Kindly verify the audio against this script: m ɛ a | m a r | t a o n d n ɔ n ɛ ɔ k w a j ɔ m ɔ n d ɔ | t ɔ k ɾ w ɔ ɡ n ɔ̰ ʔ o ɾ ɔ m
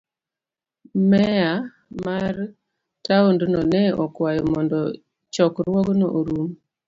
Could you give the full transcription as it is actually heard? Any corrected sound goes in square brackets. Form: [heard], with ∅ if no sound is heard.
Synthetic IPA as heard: m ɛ a | m a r | t a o n d n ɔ n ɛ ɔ k w a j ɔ m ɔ n d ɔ | [t͡ʃ] ɔ k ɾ w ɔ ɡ n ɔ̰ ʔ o ɾ [u] m

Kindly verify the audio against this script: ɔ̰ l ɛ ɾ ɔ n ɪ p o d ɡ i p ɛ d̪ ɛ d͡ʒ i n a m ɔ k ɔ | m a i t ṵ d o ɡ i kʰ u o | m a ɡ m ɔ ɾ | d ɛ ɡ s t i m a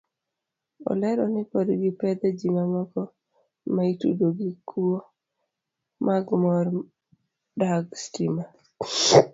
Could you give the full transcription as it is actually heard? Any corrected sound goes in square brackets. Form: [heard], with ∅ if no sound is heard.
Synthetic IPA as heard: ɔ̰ l ɛ ɾ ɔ n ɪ p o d ɡ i p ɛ d̪ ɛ d͡ʒ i [m] a m ɔ k ɔ | m a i t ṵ d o ɡ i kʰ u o | m a ɡ m ɔ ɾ | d [a] ɡ s t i m a

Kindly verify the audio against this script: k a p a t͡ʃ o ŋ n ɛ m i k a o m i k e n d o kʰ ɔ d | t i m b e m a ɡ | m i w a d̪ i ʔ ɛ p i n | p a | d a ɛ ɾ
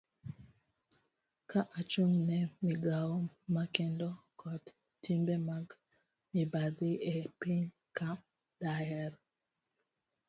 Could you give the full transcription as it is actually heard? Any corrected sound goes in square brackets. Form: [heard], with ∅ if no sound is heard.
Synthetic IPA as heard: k a [ʔ] a t͡ʃ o ŋ n ɛ m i [ɡ] a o m [a] k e n d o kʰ ɔ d | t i m b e m a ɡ | m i [b] a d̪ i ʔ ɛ p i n | [k] a | d a ɛ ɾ

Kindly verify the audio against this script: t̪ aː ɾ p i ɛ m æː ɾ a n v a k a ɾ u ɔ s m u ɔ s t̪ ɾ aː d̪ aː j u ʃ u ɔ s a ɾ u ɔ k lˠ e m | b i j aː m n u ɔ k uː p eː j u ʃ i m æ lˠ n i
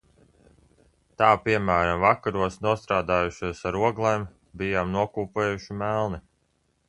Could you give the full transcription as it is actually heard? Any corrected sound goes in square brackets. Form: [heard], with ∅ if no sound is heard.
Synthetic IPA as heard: t̪ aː [∅] p i ɛ m æː ɾ a [m] v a k a ɾ u ɔ s [n] u ɔ s t̪ ɾ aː d̪ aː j u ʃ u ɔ s a ɾ u ɔ [ɡ] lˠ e m | b i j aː m n u ɔ k uː p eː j u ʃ i m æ lˠ n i

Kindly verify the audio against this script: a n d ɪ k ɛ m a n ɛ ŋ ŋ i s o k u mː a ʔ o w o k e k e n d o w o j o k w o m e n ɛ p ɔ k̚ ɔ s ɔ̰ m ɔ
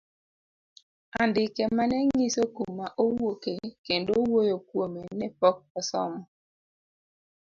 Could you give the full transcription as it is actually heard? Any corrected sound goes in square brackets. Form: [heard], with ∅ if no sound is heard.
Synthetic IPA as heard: a n d ɪ k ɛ m a n ɛ ŋ ŋ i s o k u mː a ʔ o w o k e k e n d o w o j o k w o m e n ɛ p ɔ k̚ ɔ s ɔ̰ m ɔ

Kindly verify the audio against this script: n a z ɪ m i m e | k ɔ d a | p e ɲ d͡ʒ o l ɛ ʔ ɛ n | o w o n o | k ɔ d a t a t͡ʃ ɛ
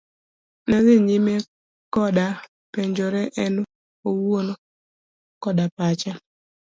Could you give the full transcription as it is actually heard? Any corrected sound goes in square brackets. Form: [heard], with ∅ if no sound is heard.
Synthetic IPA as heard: n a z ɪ [ɲ] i m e | k ɔ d a | p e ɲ d͡ʒ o [ɾ] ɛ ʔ ɛ n | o w o n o | k ɔ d a [p] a t͡ʃ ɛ

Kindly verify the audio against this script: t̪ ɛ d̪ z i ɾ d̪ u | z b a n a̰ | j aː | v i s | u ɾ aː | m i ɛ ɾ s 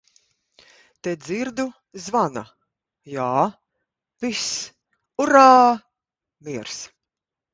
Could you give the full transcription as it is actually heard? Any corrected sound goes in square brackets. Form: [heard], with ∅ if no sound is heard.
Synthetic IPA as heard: t̪ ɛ d̪ z i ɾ d̪ u | z [v] a n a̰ | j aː | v i s | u ɾ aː | m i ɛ ɾ s

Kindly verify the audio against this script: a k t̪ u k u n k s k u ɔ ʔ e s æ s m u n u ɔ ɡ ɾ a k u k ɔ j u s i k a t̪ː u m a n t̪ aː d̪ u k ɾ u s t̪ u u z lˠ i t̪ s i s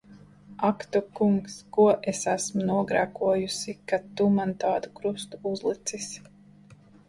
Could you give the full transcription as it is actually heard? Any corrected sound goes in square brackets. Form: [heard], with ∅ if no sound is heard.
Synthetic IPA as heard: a k t̪ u k u [ŋ] k s k u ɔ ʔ e s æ s m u n u ɔ ɡ ɾ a k u [∅] ɔ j u s i k a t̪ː u m a n t̪ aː d̪ u k ɾ u s t̪ u u z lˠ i t̪ s i s

